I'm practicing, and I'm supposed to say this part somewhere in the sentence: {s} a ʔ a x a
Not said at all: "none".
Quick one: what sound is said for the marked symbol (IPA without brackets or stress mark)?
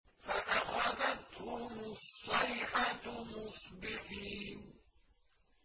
f